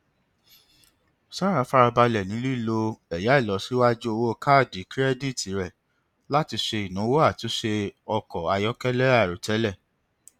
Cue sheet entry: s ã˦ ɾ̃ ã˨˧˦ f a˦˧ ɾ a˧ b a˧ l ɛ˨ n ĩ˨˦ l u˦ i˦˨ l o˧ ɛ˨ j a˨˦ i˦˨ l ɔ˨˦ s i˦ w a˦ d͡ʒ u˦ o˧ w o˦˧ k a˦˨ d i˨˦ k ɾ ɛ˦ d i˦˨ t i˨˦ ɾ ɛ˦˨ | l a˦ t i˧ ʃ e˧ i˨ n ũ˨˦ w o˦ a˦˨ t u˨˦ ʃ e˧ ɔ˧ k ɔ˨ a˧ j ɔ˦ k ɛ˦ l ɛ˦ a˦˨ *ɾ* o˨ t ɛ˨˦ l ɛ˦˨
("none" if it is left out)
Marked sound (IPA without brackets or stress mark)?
ɾ